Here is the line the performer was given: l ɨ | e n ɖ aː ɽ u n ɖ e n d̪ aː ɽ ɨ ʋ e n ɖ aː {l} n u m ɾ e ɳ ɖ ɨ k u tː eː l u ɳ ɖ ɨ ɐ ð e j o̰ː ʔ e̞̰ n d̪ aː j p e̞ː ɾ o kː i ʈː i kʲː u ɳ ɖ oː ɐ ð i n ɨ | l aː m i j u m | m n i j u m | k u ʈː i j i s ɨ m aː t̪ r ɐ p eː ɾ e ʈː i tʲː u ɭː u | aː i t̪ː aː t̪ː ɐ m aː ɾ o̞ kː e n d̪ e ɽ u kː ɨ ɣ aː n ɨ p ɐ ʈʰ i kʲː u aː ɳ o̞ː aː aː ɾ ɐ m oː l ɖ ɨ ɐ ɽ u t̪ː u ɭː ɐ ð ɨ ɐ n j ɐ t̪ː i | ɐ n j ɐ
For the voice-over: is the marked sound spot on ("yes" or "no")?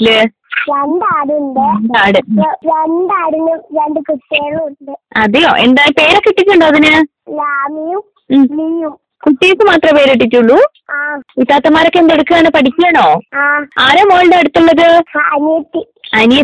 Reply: no